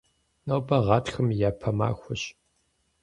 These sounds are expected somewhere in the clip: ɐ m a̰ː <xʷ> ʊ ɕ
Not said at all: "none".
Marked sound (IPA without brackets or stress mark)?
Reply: xʷ